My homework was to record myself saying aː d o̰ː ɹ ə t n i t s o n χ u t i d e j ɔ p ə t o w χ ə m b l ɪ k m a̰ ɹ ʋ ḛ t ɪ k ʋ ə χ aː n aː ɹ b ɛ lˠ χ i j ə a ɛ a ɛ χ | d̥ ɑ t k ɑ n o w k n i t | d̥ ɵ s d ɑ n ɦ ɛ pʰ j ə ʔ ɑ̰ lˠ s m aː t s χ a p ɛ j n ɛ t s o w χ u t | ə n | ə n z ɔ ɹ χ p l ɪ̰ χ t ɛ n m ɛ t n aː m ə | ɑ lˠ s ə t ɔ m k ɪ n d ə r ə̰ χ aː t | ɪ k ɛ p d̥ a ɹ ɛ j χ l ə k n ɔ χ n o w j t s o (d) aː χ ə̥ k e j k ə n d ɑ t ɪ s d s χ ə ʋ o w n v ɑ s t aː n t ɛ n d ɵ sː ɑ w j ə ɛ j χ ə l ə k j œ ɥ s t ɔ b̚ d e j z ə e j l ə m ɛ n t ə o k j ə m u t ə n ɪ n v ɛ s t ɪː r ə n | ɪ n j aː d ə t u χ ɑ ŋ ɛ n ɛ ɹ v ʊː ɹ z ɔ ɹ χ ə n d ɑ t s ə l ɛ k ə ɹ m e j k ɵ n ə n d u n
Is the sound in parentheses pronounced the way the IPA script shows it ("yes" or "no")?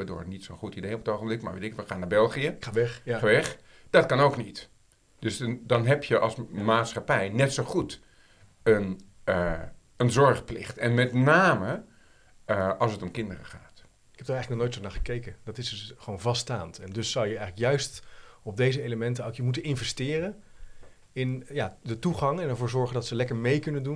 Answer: no